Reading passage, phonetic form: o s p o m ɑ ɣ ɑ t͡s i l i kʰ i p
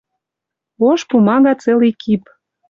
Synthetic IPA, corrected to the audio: o ʃ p u m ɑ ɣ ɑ t͡s e l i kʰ i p